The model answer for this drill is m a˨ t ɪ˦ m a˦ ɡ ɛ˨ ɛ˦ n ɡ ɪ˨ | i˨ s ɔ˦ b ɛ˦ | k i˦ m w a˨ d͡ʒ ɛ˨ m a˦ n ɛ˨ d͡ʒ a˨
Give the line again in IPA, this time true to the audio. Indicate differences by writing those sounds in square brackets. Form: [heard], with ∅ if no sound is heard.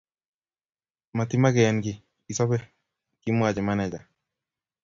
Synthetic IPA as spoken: m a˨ t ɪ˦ m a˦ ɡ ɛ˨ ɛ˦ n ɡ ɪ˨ | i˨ s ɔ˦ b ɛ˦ | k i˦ m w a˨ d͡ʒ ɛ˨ m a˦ n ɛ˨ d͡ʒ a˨

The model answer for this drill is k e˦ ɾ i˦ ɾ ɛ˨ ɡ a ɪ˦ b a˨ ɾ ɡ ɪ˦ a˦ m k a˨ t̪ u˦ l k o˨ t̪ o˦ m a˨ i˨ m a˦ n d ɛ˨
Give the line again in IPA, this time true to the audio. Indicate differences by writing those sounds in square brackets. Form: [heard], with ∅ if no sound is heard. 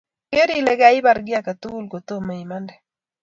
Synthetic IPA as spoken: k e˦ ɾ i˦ [l] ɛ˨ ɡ a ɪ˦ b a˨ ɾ ɡ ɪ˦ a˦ [∅] k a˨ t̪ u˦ l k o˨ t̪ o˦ m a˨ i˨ m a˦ n d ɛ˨

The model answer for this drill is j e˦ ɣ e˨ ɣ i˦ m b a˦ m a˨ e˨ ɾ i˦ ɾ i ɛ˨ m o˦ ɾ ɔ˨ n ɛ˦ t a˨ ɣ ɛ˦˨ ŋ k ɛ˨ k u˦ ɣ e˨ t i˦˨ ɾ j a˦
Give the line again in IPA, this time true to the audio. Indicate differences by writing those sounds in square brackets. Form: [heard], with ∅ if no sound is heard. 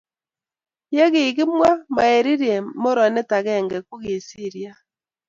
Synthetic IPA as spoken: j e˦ ɣ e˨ ɣ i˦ m [w] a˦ m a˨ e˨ ɾ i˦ ɾ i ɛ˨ m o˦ ɾ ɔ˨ n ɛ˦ t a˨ ɣ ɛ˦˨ ŋ [ɡ] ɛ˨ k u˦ ɣ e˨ [s] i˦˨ ɾ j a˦

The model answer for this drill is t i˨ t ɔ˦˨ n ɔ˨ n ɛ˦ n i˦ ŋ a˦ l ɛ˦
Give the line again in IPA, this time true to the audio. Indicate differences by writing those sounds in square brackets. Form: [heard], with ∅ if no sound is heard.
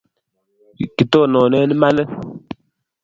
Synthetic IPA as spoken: [k] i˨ t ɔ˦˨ n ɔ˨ n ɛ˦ n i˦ [m] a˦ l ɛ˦

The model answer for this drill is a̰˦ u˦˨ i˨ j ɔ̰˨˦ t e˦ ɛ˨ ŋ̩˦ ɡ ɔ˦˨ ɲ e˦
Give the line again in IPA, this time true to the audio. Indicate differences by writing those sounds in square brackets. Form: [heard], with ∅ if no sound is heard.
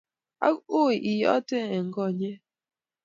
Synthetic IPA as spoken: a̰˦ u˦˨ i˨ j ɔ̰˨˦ t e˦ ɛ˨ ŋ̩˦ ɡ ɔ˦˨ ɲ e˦

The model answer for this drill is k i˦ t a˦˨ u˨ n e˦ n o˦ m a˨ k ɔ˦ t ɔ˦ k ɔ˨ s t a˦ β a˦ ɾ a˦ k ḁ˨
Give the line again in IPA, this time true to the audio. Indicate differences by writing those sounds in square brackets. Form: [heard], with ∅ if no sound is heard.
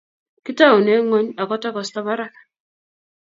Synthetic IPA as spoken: k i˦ t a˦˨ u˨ n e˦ [ŋ] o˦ [ɲ] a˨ k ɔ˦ t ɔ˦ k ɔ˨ s t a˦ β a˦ ɾ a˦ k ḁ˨

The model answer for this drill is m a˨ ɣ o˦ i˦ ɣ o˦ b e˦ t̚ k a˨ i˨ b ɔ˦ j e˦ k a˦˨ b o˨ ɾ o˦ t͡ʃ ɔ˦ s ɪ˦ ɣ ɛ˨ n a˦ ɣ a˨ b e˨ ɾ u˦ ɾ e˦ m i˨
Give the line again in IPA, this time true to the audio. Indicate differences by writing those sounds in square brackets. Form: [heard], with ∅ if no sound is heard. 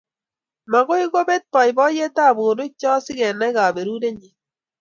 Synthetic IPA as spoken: m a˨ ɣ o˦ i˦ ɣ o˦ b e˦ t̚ [p] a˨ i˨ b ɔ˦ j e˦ [t] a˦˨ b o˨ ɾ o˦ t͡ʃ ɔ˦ s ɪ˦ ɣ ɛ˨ n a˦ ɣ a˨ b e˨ ɾ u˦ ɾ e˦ [ɲ] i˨

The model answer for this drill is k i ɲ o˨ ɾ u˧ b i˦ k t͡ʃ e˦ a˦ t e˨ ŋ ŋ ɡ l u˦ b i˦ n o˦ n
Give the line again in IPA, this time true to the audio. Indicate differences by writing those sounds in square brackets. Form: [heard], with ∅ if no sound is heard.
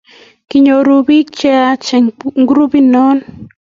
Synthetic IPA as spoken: k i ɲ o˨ ɾ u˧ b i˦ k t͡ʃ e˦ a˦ [t͡ʃ] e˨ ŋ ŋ ɡ [ɾ] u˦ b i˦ n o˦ n

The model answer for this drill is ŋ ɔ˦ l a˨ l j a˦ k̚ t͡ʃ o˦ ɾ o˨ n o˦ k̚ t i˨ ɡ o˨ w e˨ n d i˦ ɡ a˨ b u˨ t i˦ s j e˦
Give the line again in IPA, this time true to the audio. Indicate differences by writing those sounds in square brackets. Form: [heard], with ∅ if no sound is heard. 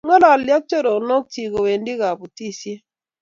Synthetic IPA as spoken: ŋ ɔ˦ l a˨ l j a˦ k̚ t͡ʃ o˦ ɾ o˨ n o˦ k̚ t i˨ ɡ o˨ w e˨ n d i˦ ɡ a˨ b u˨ t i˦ s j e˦

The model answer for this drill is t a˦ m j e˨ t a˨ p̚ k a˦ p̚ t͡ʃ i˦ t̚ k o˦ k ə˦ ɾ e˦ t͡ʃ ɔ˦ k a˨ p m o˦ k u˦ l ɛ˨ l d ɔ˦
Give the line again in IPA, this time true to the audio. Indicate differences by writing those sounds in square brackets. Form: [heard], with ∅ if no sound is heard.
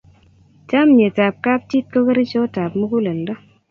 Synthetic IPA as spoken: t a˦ m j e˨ t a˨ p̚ k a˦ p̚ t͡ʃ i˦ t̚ k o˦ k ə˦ ɾ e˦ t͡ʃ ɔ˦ [t] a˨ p m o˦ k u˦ l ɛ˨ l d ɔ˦

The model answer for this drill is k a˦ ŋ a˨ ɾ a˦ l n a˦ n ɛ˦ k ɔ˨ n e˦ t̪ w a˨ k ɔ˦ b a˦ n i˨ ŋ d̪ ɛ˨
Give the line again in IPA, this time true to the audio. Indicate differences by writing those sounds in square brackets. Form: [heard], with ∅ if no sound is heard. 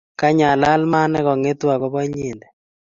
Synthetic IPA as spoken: k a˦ [ɲ] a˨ [l] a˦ l [m] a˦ n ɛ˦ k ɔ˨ [ŋ] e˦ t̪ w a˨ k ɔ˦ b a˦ [ɲ] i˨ [n] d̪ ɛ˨

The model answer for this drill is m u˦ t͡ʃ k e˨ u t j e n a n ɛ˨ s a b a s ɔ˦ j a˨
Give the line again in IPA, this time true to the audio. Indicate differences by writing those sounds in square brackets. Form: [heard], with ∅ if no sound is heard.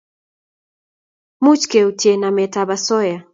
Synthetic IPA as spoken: m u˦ t͡ʃ k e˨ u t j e n a [m] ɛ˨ [t] a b a s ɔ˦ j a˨

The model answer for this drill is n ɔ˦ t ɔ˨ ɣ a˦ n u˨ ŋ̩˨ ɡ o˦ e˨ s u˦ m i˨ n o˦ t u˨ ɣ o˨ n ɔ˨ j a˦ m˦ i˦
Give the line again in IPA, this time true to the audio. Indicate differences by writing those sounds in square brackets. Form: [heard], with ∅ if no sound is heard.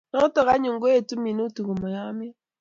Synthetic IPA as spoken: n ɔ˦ t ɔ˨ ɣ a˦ [ɲ] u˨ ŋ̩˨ ɡ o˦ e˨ [t] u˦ m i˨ n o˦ t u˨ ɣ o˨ [m] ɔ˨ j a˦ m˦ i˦

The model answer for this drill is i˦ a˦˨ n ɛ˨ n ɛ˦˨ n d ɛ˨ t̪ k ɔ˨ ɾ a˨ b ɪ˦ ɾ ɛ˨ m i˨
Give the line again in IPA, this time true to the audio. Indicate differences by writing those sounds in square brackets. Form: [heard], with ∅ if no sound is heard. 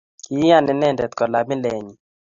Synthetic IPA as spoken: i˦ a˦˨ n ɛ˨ n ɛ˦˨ n d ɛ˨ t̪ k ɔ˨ [l] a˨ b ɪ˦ [l] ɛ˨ [ɲ] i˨

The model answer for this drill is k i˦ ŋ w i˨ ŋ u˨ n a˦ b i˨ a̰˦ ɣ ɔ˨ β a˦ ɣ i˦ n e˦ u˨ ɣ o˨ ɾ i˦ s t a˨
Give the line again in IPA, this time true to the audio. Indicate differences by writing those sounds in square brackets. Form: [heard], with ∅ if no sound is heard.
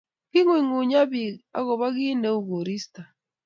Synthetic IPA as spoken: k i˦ ŋ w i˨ ŋ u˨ [ɲ] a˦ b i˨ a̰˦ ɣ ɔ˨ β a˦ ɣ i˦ n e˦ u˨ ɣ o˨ ɾ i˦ s t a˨

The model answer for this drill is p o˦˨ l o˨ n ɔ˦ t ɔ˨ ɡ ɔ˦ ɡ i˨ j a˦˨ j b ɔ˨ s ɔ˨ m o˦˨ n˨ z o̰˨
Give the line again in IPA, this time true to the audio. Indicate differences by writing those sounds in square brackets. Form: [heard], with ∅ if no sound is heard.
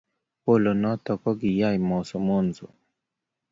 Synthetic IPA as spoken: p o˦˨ l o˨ n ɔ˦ t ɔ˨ [k] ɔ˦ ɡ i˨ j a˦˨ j [m] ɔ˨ s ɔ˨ m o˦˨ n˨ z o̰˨

